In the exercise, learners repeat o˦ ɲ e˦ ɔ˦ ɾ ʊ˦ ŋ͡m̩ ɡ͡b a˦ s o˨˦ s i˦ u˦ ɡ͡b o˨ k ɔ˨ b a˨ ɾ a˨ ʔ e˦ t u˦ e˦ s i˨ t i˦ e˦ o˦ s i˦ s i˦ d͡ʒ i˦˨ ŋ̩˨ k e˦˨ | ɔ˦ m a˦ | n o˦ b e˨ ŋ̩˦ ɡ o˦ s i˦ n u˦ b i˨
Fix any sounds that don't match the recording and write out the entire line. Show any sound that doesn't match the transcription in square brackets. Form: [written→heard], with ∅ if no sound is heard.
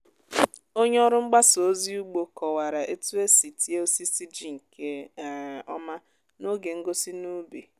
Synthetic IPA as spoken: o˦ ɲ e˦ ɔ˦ ɾ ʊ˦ ŋ͡m̩ ɡ͡b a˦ s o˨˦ [s→z] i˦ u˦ ɡ͡b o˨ k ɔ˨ [b→w] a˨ ɾ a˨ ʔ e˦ t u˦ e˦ s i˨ t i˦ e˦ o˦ s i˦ s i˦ d͡ʒ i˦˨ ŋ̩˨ k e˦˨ | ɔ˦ m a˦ | n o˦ [b→ɡ] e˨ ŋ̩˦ ɡ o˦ s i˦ n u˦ b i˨

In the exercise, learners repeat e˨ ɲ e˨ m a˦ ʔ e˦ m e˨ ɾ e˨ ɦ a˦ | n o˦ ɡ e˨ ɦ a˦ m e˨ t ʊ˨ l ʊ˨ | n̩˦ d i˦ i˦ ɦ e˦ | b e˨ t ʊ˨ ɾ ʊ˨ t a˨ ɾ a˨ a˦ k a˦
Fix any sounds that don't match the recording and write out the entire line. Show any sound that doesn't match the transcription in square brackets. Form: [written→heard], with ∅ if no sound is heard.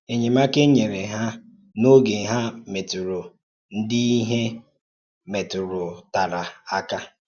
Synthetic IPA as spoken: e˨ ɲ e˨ m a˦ [ʔ→k] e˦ [m→ɲ] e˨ ɾ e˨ ɦ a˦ | n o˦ ɡ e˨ ɦ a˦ m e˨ t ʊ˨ [l→ɾ] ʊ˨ | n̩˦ d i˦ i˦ ɦ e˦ | [b→m] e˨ t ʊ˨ ɾ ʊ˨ t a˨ ɾ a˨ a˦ k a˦

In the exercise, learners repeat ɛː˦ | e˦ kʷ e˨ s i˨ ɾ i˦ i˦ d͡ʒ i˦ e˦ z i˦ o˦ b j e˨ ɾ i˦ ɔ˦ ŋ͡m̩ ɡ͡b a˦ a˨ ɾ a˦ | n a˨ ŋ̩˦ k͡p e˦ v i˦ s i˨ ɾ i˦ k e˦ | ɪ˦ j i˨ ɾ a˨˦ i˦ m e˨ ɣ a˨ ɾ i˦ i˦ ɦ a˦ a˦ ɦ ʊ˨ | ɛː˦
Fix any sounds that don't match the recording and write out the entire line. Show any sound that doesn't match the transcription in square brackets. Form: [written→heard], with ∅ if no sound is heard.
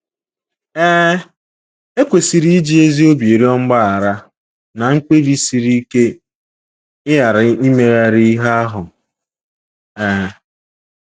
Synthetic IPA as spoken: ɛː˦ | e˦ kʷ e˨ s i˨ ɾ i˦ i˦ d͡ʒ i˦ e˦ z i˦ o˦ b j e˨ ɾ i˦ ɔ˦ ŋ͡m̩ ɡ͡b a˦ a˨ ɾ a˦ | n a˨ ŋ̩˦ k͡p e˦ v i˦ s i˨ ɾ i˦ k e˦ | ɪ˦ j [i˨→a˨] ɾ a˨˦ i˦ m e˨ ɣ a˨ ɾ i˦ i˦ ɦ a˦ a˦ ɦ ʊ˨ | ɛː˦

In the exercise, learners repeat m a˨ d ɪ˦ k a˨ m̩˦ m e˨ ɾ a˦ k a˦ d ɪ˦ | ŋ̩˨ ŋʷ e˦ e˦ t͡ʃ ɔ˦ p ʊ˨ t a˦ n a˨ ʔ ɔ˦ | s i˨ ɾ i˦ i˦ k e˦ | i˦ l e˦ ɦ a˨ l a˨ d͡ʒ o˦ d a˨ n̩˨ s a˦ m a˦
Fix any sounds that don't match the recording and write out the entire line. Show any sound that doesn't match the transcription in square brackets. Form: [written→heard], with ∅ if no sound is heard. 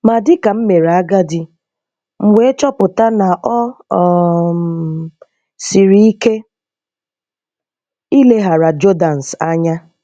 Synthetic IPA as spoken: m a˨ d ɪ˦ k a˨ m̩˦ m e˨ ɾ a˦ [k→ɡ] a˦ d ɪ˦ | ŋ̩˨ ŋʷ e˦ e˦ t͡ʃ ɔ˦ p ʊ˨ t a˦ n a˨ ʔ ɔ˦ | s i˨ ɾ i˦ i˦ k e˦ | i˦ l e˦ ɦ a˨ [l→ɾ] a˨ d͡ʒ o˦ d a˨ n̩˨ s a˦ [m→ɲ] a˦

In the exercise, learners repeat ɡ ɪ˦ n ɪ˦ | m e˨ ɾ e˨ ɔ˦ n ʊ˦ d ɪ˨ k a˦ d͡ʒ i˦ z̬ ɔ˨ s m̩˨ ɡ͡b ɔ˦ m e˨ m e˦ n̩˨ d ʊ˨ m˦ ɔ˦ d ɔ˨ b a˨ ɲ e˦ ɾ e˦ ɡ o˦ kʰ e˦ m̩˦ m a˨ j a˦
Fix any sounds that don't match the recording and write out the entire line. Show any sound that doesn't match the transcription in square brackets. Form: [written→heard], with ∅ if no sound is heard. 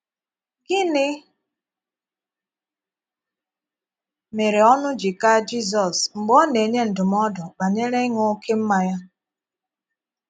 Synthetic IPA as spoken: ɡ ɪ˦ n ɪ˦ | m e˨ ɾ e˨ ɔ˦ n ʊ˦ [d→d͡ʒ] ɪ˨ k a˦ d͡ʒ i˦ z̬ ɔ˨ s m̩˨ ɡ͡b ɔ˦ [m→n] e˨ [m→ɲ] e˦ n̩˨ d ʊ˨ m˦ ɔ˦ d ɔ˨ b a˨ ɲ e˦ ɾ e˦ [ɡ→ŋ] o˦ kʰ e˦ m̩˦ m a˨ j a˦

